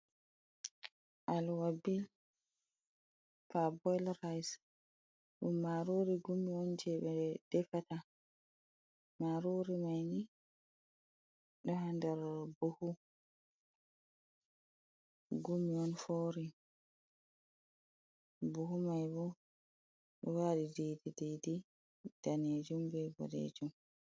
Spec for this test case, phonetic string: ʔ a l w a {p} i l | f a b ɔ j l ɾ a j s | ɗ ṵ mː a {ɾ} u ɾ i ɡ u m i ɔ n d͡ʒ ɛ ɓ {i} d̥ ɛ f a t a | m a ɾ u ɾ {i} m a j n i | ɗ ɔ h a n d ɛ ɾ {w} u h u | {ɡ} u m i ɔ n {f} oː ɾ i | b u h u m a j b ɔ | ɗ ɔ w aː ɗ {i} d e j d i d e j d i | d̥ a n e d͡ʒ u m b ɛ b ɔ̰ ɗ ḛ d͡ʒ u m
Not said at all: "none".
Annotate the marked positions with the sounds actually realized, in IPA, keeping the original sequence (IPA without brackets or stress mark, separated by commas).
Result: b, ɾ, ɛ, i, b, ɡ, f, i